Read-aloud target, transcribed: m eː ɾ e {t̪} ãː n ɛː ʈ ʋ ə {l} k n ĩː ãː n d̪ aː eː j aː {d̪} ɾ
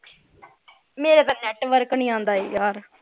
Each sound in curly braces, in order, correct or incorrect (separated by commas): correct, incorrect, incorrect